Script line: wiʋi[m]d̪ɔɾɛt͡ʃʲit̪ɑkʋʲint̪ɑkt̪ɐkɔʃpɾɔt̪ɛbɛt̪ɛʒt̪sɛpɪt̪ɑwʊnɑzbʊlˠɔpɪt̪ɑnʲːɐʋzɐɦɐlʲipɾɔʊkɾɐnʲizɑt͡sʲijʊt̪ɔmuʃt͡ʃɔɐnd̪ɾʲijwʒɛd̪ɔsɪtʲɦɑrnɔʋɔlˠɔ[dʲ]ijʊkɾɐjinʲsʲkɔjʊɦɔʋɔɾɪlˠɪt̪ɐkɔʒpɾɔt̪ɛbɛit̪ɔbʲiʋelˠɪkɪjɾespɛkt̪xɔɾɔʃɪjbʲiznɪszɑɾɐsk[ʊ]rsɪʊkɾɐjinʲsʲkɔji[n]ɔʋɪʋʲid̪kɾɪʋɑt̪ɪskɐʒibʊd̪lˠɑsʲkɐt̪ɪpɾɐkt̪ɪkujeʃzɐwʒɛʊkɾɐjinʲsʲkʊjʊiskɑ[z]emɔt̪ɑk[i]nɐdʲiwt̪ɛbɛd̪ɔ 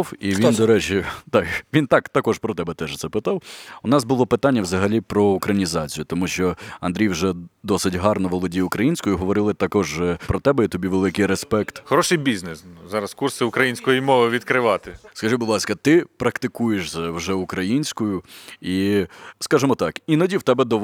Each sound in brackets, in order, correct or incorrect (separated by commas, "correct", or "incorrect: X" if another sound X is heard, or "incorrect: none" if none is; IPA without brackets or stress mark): incorrect: n, correct, incorrect: u, incorrect: m, incorrect: ʒ, correct